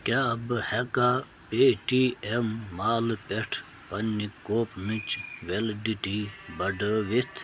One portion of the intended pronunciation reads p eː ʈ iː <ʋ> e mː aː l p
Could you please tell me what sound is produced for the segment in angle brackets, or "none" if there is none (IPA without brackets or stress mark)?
none